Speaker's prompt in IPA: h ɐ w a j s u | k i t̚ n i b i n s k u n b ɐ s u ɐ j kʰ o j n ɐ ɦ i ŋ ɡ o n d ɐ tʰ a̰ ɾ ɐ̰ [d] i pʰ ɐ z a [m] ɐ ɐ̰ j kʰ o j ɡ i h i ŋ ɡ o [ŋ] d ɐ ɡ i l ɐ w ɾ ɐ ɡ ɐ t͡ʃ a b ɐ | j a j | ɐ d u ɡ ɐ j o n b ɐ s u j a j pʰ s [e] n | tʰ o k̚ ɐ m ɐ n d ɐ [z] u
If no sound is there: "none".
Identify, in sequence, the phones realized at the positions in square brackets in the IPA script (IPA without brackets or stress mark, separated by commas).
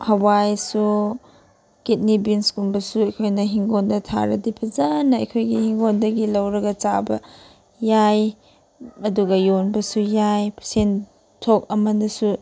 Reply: d, n, n, e, s